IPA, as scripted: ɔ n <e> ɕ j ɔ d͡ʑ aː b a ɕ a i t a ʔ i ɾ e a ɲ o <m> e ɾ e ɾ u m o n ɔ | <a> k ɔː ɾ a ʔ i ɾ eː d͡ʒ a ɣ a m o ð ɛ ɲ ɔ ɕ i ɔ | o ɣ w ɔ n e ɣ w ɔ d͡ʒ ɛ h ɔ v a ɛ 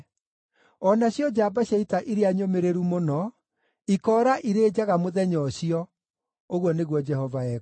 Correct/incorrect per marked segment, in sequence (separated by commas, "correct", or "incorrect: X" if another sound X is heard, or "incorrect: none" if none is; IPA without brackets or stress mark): incorrect: a, correct, incorrect: i